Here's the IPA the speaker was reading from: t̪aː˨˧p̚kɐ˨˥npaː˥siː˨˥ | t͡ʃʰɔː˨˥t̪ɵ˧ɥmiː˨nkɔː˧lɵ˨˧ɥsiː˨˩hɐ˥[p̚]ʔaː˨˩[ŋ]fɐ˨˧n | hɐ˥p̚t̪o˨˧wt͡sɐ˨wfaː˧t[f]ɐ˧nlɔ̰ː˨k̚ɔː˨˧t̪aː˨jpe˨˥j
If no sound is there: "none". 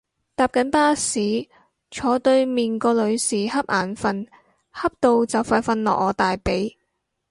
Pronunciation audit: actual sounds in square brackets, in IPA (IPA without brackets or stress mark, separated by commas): p̚, n, f